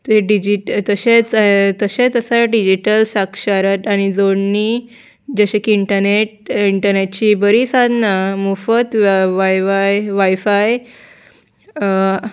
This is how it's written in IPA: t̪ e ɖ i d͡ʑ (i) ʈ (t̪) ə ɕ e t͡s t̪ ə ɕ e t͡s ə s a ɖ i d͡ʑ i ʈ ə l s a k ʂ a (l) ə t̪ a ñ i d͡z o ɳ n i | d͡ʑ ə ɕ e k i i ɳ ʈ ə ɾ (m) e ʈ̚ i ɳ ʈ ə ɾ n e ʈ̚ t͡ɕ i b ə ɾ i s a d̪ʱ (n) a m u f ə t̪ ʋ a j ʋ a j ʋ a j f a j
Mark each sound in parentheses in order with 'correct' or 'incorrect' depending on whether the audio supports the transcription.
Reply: correct, correct, incorrect, incorrect, correct

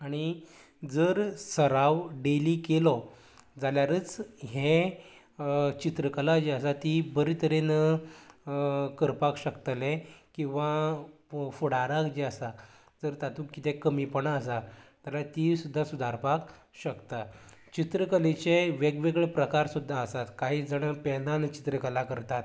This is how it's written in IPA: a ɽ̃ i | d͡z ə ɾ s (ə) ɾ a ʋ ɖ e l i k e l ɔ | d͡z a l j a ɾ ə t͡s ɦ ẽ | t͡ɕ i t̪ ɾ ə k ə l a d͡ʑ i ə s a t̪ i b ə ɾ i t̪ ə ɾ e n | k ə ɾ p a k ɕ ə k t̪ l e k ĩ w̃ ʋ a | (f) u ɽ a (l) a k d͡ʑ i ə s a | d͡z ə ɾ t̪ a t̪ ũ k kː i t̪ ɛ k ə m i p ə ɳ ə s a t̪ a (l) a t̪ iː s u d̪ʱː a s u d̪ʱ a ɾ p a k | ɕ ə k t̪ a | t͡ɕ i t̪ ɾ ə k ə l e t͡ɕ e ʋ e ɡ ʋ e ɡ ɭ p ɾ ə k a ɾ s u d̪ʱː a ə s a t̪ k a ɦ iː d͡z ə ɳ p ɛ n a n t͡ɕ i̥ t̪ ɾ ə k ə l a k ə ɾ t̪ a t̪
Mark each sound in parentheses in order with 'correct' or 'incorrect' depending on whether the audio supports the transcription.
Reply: correct, correct, incorrect, correct

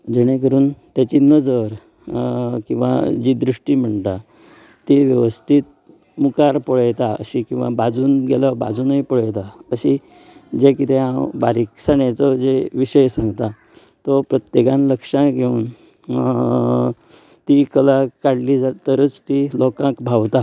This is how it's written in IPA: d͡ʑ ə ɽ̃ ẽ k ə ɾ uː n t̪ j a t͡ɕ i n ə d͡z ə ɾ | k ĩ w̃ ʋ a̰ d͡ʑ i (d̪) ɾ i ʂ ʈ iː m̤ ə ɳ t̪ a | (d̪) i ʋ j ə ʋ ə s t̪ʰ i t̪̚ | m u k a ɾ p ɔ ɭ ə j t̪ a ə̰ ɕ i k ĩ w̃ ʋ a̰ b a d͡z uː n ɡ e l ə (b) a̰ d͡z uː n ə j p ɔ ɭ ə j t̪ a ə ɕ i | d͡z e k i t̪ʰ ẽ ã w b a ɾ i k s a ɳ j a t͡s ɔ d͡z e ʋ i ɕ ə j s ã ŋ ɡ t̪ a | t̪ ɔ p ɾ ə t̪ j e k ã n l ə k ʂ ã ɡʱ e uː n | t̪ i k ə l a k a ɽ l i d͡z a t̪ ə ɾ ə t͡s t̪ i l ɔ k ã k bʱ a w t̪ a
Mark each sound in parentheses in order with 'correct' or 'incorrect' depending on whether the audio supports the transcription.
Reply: correct, incorrect, correct

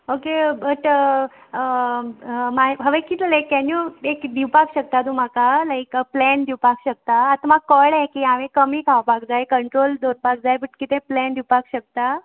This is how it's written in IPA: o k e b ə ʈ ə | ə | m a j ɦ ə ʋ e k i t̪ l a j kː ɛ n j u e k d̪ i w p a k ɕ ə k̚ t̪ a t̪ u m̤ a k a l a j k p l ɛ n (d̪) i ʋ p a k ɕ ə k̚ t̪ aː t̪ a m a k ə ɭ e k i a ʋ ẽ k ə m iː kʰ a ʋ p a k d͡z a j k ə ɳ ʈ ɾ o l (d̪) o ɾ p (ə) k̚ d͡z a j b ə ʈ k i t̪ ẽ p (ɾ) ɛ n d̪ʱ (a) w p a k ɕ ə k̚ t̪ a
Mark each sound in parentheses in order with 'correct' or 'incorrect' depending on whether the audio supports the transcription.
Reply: correct, correct, incorrect, incorrect, incorrect

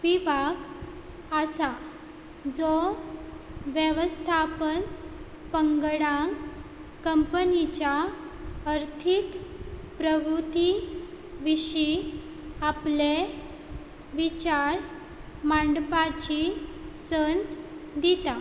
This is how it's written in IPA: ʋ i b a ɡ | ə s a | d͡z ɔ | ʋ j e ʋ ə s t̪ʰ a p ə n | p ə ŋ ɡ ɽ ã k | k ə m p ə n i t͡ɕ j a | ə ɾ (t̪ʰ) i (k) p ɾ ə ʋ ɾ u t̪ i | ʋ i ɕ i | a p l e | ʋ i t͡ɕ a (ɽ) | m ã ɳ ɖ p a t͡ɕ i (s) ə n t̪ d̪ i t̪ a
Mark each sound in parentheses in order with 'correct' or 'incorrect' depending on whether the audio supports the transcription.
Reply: correct, correct, incorrect, correct

